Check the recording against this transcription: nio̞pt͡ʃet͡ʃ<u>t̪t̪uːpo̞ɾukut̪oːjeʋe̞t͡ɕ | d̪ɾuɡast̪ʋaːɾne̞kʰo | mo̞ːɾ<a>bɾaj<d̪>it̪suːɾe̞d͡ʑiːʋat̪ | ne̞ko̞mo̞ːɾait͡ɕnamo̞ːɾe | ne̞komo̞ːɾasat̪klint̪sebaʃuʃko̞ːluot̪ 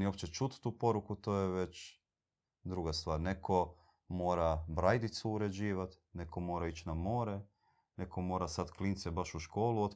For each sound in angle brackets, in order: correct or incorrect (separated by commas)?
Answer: correct, correct, correct